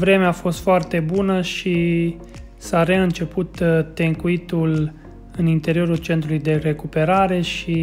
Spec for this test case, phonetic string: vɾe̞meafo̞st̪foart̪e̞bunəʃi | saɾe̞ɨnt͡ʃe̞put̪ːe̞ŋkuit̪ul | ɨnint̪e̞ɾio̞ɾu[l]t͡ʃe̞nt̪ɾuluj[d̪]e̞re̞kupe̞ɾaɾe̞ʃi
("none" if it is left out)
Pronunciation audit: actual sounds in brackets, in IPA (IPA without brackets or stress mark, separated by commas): l, d̪